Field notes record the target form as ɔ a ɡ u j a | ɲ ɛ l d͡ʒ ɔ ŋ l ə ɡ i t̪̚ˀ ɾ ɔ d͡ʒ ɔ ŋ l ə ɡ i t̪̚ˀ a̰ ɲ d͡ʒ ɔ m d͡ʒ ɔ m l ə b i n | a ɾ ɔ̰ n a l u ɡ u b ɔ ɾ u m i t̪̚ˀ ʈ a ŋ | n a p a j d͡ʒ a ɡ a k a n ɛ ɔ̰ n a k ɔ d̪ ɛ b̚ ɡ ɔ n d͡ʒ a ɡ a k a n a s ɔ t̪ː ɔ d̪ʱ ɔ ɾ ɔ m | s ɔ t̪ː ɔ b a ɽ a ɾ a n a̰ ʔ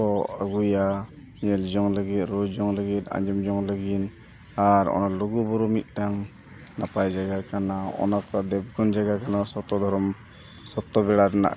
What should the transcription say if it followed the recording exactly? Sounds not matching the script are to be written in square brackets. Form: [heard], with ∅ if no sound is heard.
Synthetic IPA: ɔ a ɡ u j a | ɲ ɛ l d͡ʒ ɔ ŋ l ə ɡ i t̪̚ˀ ɾ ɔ d͡ʒ ɔ ŋ l ə ɡ i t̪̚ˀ a̰ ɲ d͡ʒ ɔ m d͡ʒ ɔ [ŋ] l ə [ɡ] i n | a ɾ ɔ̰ n a l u ɡ u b ɔ ɾ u m i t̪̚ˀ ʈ a ŋ | n a p a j d͡ʒ a ɡ a k a n [a] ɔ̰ n a k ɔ d̪ ɛ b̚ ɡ ɔ n d͡ʒ a ɡ a k a n a s ɔ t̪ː ɔ d̪ʱ ɔ ɾ ɔ m | s ɔ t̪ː ɔ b [ɛ] ɽ a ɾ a n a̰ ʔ

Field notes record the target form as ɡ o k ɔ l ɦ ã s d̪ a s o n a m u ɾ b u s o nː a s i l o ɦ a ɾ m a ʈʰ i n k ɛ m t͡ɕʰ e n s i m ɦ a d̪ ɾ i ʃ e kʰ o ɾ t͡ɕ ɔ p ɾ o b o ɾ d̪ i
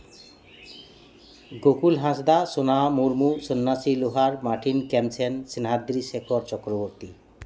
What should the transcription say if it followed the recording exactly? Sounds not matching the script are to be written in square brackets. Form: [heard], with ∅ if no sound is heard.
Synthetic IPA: ɡ o k [u] l ɦ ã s d̪ a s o n a m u ɾ [m] u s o nː a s i l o ɦ a ɾ m a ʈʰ i n k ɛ m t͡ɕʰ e n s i [n] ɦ a d̪ ɾ i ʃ e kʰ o ɾ t͡ɕ ɔ [k] ɾ o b o ɾ [t̪] i

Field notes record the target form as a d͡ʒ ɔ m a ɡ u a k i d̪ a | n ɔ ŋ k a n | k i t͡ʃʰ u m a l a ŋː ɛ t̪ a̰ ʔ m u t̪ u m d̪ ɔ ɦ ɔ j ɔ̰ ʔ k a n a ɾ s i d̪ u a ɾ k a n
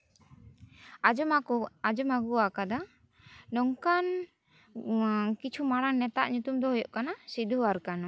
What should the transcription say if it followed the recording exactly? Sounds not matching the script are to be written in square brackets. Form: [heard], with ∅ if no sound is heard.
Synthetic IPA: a d͡ʒ ɔ m a ɡ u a k [a] d̪ a | n ɔ ŋ k a n | k i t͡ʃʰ u m a [ɽ] a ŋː ɛ t̪ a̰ ʔ [ɲ] u t̪ u m d̪ ɔ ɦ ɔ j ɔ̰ ʔ k a n a [∅] s i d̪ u a ɾ k a n

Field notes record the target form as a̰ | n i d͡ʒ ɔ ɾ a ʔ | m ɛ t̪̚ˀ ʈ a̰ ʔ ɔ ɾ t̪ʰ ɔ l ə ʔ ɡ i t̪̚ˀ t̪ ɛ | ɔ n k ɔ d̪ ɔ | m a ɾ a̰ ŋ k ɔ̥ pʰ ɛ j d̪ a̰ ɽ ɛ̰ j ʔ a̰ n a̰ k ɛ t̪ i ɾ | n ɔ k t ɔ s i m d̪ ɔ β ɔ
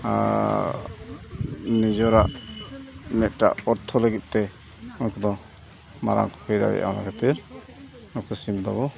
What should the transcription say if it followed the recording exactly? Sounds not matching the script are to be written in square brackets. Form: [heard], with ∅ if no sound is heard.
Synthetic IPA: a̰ | n i d͡ʒ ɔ ɾ a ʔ | m ɛ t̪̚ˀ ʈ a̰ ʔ ɔ ɾ t̪ʰ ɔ l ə [∅] ɡ i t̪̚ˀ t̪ ɛ | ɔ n k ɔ d̪ ɔ | m a ɾ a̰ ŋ k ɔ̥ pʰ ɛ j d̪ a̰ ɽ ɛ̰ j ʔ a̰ n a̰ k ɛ t̪ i ɾ | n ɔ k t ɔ s i m d̪ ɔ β ɔ

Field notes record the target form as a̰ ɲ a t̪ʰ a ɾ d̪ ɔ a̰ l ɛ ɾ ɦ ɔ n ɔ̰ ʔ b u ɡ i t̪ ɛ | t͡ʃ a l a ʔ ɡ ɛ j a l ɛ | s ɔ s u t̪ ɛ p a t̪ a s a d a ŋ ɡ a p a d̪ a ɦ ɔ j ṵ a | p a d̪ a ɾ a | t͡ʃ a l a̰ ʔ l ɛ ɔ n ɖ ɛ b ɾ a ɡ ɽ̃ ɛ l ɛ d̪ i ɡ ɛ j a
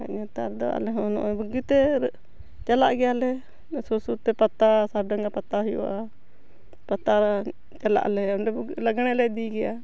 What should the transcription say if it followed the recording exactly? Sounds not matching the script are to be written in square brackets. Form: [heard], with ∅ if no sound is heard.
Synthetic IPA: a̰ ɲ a [t̪] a ɾ d̪ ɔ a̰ l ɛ [∅] ɦ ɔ n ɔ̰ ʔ b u ɡ i t̪ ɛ | t͡ʃ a l a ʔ ɡ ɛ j a l ɛ | s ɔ s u t̪ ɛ p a t̪ a s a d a ŋ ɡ a p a [t̪] a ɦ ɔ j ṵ a | p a [t̪] a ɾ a | t͡ʃ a l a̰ ʔ l ɛ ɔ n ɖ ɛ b [l] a ɡ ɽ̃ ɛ l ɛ d̪ i ɡ ɛ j a

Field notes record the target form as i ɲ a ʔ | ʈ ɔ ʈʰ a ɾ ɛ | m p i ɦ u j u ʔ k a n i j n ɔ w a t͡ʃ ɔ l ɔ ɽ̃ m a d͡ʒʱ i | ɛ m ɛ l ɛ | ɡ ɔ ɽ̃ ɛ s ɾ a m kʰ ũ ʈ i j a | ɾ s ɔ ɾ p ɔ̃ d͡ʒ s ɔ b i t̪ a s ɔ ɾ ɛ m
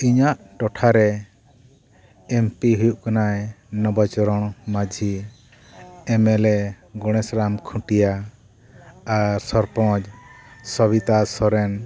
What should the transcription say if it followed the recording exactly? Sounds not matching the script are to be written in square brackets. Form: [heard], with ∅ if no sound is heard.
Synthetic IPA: i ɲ a ʔ | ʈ ɔ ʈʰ a ɾ ɛ | m p i ɦ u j u ʔ k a n [a] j n ɔ [b] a t͡ʃ ɔ [ɾ] ɔ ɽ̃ m a d͡ʒʱ i | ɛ m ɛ l ɛ | ɡ ɔ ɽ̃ ɛ s ɾ a m kʰ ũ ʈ i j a | ɾ s ɔ ɾ p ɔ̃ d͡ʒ s ɔ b i t̪ a s ɔ ɾ ɛ [n]

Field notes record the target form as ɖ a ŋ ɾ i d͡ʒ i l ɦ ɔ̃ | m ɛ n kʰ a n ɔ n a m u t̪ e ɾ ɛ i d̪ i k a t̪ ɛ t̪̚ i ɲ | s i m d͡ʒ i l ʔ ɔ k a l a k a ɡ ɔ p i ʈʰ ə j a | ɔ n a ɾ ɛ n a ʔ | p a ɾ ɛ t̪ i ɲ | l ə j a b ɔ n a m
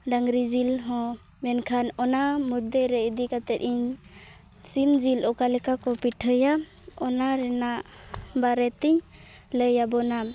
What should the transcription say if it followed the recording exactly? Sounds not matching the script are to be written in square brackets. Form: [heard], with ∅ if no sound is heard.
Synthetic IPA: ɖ a ŋ ɾ i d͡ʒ i l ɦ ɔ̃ | m ɛ n kʰ a n ɔ n a m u [d̪] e ɾ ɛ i d̪ i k a t̪ ɛ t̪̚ i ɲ | s i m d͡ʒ i l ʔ ɔ k a l [ɛ] k a [k] ɔ p i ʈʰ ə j a | ɔ n a ɾ ɛ n a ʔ | [b] a ɾ ɛ t̪ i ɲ | l ə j a b ɔ n a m

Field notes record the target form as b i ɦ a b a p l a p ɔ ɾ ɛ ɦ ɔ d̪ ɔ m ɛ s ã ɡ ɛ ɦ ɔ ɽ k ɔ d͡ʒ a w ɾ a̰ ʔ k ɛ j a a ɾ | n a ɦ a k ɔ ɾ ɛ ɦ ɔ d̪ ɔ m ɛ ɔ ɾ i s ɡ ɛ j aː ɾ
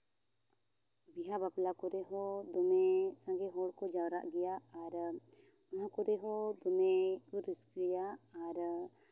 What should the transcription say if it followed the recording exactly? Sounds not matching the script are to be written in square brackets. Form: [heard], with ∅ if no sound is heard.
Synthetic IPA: b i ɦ a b a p l a [k] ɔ ɾ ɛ ɦ ɔ d̪ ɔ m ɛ s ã ɡ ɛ ɦ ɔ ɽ k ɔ d͡ʒ a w ɾ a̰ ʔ [ɡ] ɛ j a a ɾ | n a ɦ a k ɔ ɾ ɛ ɦ ɔ d̪ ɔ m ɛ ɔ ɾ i s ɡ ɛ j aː ɾ

